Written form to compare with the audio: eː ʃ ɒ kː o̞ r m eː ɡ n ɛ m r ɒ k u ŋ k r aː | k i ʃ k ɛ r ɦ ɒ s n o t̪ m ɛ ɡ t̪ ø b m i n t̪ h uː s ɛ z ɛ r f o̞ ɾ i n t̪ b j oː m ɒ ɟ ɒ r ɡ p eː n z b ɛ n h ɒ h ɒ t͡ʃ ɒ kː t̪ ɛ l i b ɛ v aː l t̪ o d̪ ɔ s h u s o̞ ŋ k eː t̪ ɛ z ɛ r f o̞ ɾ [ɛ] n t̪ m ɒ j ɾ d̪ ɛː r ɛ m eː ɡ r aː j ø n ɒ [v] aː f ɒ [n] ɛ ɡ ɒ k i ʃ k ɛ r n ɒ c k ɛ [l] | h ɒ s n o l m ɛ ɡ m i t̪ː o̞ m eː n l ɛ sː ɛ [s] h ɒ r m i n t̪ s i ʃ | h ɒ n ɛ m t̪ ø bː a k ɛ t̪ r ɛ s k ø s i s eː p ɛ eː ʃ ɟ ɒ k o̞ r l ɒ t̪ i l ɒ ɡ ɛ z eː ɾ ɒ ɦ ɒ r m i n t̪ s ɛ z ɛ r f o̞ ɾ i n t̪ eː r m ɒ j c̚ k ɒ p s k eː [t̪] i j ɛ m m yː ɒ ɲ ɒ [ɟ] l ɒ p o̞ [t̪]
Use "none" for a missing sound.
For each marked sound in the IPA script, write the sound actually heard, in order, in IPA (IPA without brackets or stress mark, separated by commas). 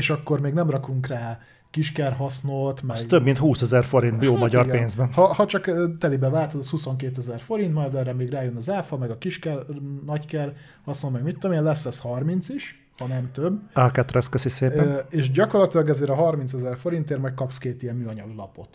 i, z, m, r, s, t̪, ɡ, t̪